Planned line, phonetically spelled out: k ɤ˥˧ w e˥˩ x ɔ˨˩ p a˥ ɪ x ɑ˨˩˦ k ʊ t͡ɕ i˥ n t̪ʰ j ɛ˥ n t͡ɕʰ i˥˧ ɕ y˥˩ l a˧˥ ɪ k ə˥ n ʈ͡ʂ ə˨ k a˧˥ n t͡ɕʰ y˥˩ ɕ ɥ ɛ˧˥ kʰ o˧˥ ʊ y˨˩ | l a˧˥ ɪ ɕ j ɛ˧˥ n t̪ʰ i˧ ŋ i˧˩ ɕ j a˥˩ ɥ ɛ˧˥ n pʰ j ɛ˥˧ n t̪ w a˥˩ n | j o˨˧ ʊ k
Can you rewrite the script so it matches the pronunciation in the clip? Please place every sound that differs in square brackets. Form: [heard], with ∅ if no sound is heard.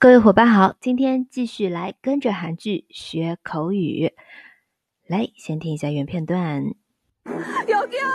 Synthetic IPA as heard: k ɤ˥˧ w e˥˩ x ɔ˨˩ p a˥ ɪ x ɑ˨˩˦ [∅] ʊ t͡ɕ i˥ n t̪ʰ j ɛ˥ n [t͡ɕ] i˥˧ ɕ y˥˩ l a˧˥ ɪ k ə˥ n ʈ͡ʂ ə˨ [x] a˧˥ n [t͡ɕ] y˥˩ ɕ ɥ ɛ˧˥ kʰ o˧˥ ʊ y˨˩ | l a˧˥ ɪ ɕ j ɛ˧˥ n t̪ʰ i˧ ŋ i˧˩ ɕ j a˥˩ ɥ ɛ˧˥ n pʰ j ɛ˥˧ n t̪ w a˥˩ n | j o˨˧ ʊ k